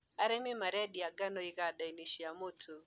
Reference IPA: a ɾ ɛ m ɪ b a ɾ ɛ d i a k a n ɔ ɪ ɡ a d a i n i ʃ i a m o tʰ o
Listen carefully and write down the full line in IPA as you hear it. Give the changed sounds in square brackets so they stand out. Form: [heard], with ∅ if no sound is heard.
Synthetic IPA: a ɾ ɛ m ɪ [m] a ɾ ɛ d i a [ɡ] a n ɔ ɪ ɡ a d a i n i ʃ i a m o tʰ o